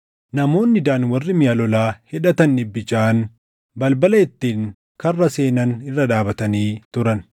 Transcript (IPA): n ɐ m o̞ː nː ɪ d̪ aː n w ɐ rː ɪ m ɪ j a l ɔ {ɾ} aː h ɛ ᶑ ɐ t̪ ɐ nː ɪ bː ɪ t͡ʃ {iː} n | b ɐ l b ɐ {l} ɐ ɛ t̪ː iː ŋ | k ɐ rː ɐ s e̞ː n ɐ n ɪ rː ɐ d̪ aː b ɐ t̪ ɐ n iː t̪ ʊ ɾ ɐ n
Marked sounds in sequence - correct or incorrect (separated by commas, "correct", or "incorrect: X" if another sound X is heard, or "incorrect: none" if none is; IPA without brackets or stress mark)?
incorrect: l, incorrect: aː, correct